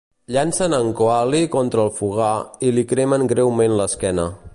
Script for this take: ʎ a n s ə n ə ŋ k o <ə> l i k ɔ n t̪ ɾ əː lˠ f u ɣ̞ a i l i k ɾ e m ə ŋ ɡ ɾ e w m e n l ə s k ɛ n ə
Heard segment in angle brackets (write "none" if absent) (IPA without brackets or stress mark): a